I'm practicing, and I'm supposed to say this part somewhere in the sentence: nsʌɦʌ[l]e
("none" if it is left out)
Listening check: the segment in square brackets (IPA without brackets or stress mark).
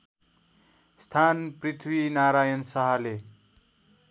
l